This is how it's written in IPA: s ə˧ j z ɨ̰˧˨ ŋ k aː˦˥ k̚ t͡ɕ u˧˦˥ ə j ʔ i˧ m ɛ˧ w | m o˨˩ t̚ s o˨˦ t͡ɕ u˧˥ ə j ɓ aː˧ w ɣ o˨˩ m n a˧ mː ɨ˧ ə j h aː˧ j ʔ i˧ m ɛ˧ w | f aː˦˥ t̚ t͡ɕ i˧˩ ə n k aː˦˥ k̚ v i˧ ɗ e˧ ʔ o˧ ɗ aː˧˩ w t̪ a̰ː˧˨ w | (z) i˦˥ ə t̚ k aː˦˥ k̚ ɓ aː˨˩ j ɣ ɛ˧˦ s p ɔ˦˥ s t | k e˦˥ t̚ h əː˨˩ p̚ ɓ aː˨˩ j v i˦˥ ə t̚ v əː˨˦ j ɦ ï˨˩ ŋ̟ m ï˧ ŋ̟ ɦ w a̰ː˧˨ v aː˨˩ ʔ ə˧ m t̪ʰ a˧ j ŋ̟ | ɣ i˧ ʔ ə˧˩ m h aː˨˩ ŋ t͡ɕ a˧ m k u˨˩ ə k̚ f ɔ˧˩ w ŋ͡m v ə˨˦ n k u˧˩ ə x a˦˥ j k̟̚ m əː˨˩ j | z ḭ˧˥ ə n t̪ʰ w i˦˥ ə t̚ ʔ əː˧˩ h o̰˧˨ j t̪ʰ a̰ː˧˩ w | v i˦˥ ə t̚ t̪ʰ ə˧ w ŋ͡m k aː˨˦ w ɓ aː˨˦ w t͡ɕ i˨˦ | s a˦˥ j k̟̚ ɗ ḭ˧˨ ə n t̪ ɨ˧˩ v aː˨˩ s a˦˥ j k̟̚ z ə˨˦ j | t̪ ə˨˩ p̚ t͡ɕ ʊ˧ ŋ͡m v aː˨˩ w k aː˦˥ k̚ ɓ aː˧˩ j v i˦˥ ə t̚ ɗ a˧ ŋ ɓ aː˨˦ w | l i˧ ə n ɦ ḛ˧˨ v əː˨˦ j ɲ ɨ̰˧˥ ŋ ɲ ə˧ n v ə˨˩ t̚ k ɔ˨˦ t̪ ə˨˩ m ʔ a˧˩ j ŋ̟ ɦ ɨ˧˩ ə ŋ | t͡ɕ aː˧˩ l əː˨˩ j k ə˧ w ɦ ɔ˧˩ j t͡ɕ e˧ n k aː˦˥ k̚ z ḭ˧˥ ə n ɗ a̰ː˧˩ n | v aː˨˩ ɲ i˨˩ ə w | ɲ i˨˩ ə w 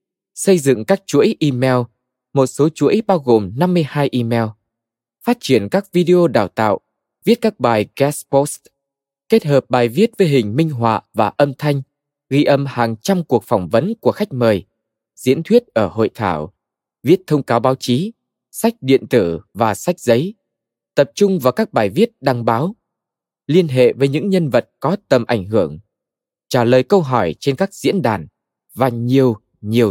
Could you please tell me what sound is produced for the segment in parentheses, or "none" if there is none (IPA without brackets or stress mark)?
v